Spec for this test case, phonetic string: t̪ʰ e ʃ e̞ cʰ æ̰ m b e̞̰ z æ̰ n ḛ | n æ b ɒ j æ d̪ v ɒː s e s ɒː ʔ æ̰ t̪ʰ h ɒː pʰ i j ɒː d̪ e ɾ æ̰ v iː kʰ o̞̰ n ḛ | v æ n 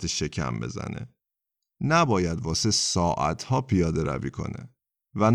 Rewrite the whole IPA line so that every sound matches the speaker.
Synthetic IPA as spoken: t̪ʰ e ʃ e̞ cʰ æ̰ m b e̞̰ z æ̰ n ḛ | n æ b ɒː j æ d̪ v ɒː s e s ɒː ʔ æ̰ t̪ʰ h ɒː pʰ i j ɒː d̪ e ɾ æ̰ v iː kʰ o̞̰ n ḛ | v æ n